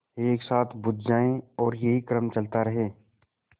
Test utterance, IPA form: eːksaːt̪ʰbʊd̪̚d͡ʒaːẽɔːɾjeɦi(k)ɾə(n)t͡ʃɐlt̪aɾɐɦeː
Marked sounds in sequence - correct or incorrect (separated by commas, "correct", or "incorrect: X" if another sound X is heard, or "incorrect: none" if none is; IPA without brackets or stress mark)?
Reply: correct, incorrect: m